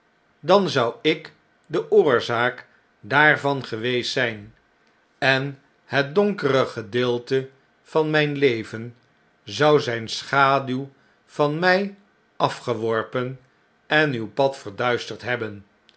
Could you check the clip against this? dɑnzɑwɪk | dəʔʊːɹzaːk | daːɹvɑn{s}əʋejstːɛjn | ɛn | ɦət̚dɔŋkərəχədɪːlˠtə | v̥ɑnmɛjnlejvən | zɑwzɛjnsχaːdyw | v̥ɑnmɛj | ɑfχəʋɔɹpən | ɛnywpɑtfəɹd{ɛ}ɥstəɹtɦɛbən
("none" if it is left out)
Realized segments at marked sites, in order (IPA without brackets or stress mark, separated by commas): χ, œ